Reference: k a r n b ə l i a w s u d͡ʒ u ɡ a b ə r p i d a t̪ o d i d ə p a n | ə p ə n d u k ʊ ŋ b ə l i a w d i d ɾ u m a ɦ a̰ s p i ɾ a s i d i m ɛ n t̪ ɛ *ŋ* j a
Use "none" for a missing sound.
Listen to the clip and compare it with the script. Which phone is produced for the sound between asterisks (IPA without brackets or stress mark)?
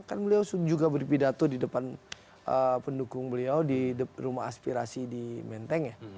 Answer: ŋ